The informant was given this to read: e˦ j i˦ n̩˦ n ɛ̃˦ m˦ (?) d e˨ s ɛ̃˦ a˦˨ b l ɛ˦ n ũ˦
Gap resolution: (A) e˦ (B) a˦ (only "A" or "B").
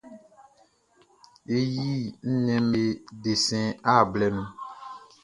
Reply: A